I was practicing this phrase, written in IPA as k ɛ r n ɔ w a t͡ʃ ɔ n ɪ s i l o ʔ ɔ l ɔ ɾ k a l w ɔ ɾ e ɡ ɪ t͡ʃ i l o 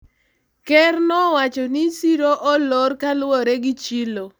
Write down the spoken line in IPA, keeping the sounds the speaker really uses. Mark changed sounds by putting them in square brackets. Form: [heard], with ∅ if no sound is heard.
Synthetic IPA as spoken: k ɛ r n ɔ w a t͡ʃ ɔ n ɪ s i [ɾ] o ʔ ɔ l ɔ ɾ k a l w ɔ ɾ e ɡ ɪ t͡ʃ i l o